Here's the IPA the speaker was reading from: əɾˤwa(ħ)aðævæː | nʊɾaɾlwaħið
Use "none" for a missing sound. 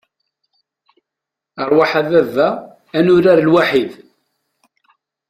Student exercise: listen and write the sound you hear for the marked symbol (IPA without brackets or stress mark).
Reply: ħ